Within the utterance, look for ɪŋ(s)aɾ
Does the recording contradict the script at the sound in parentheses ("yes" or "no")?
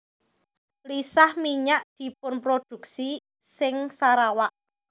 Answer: no